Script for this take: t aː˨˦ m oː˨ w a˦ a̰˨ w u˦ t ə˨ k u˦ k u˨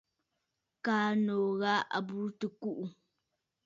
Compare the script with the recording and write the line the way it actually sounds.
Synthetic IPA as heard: k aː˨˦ n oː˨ ɣ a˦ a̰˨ b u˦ t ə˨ k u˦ ʔ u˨